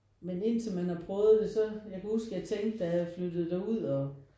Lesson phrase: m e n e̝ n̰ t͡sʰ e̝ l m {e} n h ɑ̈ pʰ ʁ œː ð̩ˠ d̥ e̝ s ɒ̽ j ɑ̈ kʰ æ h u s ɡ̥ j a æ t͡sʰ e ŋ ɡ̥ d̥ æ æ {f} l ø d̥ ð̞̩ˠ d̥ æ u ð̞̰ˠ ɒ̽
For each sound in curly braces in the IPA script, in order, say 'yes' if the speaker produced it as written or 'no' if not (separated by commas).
no, yes